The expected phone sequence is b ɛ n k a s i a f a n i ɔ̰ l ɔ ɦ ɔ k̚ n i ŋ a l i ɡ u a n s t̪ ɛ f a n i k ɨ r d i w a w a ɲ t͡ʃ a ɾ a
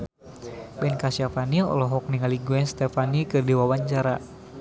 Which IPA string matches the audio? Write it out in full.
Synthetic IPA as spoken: b ɛ n k a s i a f a n i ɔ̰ l ɔ ɦ ɔ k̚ n i ŋ a l i ɡ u ɛ n s t̪ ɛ f a n i k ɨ r d i w a w a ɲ t͡ʃ a ɾ a

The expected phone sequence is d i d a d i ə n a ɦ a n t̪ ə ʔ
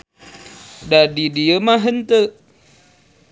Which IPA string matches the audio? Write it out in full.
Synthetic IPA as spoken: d a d i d i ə m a ɦ ə n t̪ ə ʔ

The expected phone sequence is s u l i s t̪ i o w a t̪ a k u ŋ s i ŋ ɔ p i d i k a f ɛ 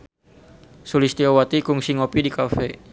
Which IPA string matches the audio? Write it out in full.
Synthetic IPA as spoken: s u l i s t̪ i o w a t̪ i k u ŋ s i ŋ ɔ p i d i k a f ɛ

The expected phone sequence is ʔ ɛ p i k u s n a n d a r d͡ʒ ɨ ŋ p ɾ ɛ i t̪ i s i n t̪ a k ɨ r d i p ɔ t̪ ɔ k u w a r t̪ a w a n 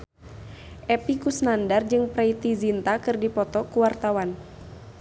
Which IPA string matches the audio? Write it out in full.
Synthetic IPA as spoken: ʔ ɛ p i k u s n a n d a r d͡ʒ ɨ ŋ p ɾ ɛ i t̪ i z i n t̪ a k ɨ r d i p ɔ t̪ ɔ k u w a r t̪ a w a n

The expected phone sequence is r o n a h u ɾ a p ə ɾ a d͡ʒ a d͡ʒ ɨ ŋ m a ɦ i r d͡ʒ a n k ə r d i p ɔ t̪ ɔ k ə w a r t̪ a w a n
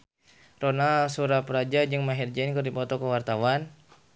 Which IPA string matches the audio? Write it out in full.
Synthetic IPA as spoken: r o n a s u ɾ a p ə ɾ a d͡ʒ a d͡ʒ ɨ ŋ m a ɦ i r d͡ʒ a n k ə r d i p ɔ t̪ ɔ k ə w a r t̪ a w a n

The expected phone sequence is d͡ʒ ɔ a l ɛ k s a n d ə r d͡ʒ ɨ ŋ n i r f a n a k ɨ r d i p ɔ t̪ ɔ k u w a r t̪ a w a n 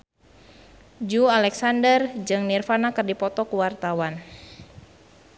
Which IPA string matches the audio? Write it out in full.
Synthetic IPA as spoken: d͡ʒ u a l ɛ k s a n d ə r d͡ʒ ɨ ŋ n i r f a n a k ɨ r d i p ɔ t̪ ɔ k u w a r t̪ a w a n

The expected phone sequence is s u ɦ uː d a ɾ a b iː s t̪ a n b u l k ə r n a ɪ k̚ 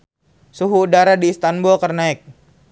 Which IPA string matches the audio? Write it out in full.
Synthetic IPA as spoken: s u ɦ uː d a ɾ a d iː s t̪ a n b u l k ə r n a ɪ k̚

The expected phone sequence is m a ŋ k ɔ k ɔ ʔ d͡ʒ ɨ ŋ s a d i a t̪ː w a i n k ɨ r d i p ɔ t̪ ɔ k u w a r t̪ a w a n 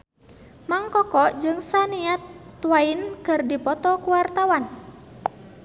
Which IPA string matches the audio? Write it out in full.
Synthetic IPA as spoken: m a ŋ k ɔ k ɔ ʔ d͡ʒ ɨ ŋ s a n i a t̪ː w a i n k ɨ r d i p ɔ t̪ ɔ k u w a r t̪ a w a n

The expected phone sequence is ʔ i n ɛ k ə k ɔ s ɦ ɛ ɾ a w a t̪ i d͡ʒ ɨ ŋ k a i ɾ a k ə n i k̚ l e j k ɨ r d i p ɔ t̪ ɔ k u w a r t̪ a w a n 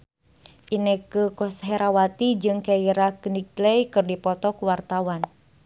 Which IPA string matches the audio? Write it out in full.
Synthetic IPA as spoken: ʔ i n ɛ k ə k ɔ s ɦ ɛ ɾ a w a t̪ i d͡ʒ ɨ ŋ k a i ɾ a k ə n i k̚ l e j k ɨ r d i p ɔ t̪ ɔ k u w a r t̪ a w a n

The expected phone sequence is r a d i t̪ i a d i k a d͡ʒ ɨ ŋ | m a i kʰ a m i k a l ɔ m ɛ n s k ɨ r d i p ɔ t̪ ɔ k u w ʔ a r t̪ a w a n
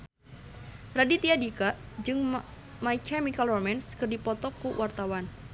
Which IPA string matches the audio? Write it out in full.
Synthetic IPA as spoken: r a d i t̪ i a d i k a d͡ʒ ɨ ŋ | m a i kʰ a m i k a l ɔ m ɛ n s k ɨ r d i p ɔ t̪ ɔ k u w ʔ a r t̪ a w a n

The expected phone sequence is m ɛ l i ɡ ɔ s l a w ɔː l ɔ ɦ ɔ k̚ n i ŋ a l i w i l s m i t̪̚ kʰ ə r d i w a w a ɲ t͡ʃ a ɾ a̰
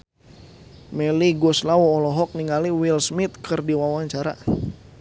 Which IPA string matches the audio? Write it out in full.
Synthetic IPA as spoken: m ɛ l i ɡ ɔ s l a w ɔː l ɔ ɦ ɔ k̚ n i ŋ a l i w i l s m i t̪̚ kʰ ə r d i w a w a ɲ t͡ʃ a ɾ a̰

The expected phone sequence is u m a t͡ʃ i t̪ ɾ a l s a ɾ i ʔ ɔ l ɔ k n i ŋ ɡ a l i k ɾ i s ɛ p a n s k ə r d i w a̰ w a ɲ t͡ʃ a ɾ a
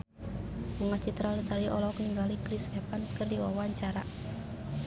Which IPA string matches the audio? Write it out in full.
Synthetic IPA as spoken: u ŋ a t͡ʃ i t̪ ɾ a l s a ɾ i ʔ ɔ l ɔ k n i ŋ ɡ a l i k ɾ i s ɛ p a n s k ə r d i w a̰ w a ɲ t͡ʃ a ɾ a

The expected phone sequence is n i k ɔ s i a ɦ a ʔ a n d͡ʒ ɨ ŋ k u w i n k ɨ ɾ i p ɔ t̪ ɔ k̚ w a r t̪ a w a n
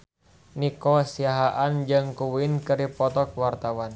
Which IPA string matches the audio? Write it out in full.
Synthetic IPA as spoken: n i k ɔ s i a ɦ a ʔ a n d͡ʒ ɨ ŋ k u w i n k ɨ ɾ i p ɔ t̪ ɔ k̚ w a r t̪ a w a n

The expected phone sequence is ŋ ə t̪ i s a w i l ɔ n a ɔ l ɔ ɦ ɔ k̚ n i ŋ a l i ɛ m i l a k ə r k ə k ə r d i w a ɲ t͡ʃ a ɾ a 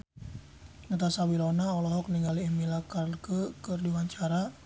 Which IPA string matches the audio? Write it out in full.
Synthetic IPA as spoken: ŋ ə t̪ a s a w i l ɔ n a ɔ l ɔ ɦ ɔ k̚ n i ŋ a l i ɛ m i l a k a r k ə k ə r d i w a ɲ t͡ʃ a ɾ a

